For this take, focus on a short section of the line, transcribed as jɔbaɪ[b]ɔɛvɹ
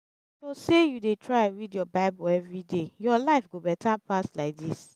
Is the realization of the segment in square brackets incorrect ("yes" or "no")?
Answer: no